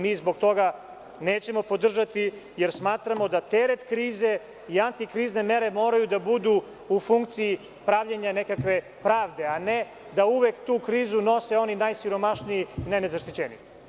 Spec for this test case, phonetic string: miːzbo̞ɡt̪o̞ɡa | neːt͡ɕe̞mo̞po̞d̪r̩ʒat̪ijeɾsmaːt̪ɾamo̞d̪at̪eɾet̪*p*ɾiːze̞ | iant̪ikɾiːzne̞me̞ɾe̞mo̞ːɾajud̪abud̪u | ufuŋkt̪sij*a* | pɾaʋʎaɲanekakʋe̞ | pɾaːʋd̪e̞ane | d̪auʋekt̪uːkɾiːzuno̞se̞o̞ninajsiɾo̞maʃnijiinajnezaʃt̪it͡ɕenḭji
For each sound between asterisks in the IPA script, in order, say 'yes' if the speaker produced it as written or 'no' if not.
no, no

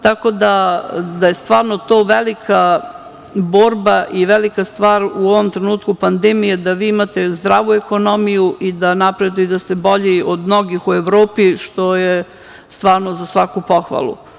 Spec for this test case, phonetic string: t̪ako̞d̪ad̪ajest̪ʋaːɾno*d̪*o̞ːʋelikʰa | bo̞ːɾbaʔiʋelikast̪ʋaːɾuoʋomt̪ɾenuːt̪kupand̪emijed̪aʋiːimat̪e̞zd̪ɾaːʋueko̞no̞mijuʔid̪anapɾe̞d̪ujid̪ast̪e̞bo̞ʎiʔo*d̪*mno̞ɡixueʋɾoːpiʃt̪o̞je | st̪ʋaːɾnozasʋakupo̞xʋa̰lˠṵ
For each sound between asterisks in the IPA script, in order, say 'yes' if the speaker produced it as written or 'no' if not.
no, yes

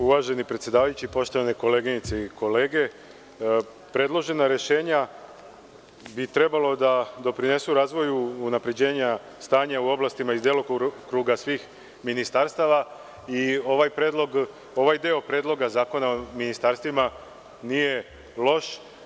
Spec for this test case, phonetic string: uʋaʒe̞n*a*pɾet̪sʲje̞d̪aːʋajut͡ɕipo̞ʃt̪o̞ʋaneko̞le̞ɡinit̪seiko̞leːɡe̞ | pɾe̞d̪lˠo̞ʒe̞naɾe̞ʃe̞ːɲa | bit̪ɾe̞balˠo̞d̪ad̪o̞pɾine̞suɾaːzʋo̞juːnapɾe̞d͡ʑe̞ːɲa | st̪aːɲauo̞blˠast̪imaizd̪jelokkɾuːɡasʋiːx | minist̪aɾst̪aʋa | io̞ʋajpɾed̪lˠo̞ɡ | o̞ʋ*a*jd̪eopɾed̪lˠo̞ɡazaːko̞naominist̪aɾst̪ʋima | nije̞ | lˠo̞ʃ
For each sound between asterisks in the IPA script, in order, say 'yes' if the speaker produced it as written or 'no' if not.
no, yes

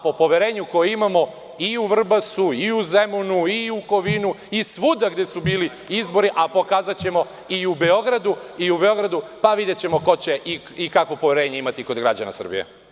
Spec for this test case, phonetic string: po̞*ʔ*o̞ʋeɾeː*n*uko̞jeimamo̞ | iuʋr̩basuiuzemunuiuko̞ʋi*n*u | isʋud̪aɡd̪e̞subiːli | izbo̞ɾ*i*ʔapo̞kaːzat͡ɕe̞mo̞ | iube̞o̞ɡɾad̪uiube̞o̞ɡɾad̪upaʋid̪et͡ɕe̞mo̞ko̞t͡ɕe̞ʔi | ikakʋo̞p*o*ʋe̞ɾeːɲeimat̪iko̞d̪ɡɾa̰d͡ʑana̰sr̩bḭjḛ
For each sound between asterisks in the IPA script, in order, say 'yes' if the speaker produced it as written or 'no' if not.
no, no, yes, yes, yes

